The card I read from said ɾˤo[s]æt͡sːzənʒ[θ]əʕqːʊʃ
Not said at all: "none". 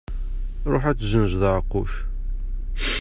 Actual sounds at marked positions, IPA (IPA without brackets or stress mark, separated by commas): ħ, ð